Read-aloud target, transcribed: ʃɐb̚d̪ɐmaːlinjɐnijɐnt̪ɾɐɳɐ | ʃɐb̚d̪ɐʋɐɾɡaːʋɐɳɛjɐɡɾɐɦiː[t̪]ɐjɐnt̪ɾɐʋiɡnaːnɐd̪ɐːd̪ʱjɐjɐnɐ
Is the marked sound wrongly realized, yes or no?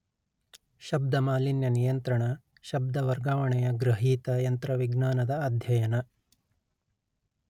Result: no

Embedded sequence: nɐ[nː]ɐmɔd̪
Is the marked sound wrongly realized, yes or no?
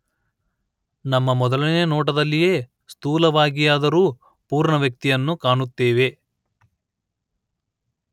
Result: yes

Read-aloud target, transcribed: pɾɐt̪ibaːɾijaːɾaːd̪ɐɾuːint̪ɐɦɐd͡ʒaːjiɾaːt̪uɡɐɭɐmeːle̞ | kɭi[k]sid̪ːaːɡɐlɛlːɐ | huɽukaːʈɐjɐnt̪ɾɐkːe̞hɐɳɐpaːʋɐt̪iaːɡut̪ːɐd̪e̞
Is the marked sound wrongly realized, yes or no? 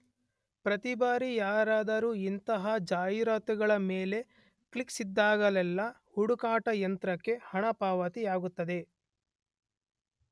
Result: no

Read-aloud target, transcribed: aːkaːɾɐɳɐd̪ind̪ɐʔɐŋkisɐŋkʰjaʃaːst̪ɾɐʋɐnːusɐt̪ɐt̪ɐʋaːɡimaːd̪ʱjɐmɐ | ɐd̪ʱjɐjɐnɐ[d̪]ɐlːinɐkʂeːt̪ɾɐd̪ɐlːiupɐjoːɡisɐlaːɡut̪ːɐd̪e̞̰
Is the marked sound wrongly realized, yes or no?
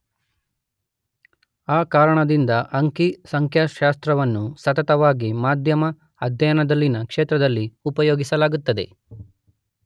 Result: no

